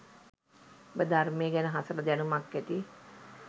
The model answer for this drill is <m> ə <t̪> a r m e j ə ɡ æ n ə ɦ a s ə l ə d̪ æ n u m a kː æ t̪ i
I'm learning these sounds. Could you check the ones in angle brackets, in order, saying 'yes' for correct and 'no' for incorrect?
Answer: no, no

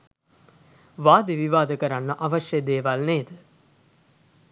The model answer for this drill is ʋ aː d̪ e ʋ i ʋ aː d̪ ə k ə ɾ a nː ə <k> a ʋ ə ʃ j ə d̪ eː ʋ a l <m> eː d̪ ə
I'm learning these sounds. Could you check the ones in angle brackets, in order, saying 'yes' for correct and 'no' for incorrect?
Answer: no, no

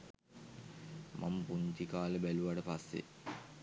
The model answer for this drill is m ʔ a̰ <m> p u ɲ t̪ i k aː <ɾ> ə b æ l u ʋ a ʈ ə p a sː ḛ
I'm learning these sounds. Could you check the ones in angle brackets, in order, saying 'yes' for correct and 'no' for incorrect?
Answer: yes, no

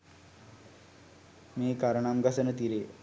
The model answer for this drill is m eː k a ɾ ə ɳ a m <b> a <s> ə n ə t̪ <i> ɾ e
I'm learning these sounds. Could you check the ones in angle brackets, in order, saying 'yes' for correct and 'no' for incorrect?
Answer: no, yes, yes

